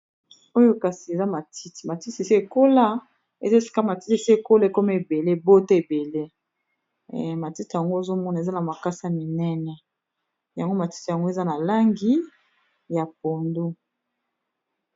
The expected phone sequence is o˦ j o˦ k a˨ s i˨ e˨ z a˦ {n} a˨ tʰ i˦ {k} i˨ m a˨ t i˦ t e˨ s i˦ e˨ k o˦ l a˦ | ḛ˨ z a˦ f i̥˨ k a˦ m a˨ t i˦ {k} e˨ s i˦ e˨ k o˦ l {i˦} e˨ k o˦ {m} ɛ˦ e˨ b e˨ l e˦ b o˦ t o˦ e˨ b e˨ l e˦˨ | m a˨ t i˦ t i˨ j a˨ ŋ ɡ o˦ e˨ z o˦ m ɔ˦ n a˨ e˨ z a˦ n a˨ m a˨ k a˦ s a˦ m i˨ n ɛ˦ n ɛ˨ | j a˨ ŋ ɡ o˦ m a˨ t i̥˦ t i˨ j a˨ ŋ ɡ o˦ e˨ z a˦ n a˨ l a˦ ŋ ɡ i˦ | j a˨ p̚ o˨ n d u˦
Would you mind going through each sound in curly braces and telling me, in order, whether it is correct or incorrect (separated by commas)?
incorrect, incorrect, incorrect, incorrect, correct